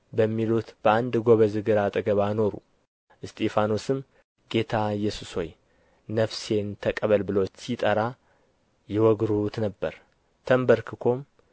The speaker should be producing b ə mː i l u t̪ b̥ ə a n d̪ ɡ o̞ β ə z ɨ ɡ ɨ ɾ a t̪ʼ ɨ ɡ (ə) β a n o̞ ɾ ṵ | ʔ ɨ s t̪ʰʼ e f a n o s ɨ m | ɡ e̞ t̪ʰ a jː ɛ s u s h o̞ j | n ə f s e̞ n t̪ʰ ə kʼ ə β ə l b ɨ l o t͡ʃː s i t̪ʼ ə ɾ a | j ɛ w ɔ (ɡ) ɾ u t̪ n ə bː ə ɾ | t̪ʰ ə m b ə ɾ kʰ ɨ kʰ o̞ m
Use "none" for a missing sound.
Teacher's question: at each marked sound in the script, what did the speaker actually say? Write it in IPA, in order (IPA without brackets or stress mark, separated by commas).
ə, ɡ